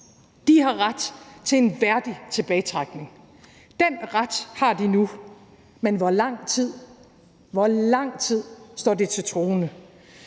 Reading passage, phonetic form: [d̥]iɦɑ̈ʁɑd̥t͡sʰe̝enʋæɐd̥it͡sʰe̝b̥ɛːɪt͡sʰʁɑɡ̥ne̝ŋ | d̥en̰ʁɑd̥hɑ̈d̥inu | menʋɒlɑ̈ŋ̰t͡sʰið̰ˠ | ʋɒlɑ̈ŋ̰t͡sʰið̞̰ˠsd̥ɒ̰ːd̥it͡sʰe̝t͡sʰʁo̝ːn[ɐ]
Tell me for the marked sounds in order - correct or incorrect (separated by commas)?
correct, incorrect